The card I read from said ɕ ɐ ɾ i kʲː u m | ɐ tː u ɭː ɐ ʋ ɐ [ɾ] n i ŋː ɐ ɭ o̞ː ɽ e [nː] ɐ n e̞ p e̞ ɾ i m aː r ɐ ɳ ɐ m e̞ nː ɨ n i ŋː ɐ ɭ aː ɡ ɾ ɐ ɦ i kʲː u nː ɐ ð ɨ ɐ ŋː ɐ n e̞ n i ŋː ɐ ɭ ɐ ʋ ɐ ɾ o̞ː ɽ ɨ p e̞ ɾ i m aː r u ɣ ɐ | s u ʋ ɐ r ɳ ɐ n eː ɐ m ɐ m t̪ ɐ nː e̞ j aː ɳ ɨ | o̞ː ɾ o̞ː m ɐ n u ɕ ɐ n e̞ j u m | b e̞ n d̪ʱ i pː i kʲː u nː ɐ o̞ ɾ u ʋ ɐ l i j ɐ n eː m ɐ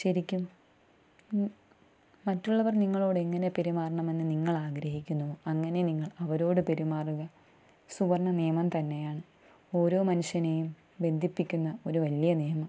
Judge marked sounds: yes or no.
no, no

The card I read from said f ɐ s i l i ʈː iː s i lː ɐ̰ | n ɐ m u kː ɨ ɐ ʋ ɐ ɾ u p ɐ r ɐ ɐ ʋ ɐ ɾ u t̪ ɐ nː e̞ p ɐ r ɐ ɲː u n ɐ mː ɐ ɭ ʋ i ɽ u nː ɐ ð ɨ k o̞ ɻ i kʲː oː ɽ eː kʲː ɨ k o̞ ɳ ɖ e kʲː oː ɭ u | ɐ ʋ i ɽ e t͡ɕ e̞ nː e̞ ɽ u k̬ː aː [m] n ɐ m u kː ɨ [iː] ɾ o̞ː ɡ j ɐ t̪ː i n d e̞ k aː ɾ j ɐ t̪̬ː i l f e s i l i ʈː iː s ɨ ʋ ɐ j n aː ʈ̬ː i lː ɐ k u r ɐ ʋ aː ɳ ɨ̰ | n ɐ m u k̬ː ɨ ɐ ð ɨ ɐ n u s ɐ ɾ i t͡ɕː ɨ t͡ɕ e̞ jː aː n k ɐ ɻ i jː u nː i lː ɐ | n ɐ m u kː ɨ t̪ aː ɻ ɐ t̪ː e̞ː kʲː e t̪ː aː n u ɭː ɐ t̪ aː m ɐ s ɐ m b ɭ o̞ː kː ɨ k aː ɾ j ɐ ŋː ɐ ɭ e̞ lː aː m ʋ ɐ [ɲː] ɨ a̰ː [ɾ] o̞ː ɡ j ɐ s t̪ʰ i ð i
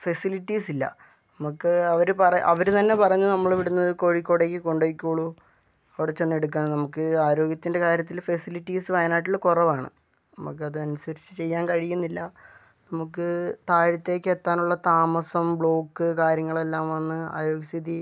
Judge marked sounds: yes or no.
no, no, no, yes

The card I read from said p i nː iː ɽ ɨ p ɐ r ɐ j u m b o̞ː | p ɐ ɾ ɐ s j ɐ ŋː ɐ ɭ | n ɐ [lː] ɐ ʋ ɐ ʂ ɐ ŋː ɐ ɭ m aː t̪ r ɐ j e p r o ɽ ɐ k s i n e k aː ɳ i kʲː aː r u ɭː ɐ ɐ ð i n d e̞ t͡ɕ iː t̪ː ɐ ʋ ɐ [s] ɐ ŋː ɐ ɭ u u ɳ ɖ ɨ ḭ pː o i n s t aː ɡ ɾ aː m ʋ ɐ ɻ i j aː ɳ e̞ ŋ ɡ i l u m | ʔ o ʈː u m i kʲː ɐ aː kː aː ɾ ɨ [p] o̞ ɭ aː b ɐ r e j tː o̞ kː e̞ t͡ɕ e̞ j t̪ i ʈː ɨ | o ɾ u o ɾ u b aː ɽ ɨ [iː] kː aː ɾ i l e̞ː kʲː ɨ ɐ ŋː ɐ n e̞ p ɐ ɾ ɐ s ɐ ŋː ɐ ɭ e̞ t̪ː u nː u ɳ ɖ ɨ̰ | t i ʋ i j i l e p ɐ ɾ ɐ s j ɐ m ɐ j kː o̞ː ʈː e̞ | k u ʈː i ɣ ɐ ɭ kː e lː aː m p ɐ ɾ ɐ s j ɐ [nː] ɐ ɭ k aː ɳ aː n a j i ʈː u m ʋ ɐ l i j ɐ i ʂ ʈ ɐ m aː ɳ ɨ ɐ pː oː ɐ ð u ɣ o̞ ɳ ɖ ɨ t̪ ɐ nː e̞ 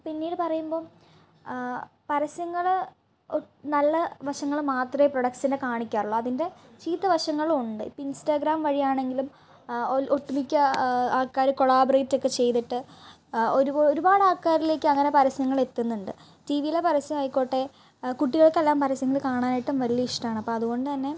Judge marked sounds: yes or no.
yes, no, no, no, no

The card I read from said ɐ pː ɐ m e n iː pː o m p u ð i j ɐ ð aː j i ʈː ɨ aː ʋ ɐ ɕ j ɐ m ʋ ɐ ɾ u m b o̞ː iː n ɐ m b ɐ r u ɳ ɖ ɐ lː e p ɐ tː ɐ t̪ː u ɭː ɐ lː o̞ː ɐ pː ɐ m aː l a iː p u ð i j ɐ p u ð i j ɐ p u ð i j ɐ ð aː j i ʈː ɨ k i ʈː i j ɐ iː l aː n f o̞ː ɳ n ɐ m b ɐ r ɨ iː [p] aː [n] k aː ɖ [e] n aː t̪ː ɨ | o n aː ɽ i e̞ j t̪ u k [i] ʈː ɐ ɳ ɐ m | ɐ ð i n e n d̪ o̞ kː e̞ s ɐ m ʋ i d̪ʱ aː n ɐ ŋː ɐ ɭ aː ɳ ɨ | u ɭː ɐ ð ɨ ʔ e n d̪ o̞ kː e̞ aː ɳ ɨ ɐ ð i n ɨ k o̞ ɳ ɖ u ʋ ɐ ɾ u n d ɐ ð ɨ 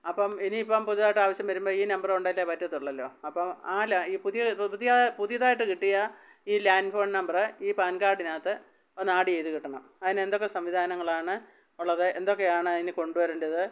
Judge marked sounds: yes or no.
yes, yes, no, yes

